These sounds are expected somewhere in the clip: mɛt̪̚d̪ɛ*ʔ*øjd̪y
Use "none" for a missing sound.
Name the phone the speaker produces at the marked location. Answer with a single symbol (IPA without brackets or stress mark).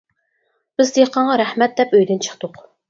p